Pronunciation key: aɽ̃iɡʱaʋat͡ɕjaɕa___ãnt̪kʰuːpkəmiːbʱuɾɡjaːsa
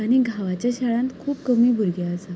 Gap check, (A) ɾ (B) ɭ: B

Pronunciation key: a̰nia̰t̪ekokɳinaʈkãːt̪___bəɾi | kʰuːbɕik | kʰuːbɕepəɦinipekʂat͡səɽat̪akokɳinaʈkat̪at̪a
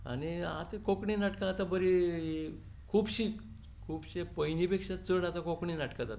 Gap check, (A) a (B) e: A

